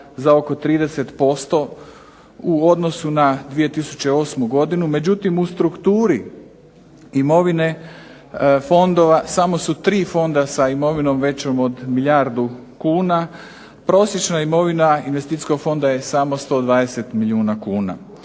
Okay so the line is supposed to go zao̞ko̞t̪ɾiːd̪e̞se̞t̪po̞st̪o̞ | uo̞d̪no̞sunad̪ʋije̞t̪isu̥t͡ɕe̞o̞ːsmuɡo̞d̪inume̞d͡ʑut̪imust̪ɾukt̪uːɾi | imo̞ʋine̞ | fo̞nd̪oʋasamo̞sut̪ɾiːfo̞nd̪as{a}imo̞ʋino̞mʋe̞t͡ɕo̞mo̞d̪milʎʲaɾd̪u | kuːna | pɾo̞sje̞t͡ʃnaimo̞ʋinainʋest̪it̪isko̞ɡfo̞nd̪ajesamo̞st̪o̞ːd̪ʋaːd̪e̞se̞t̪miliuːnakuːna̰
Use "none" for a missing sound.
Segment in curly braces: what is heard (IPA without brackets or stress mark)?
a